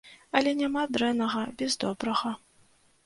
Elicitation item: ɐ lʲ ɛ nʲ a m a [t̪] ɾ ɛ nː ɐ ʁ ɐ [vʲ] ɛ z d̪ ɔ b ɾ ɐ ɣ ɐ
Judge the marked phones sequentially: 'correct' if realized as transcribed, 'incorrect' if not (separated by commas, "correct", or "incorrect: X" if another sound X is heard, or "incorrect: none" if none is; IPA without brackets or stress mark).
incorrect: d̪, incorrect: bʲ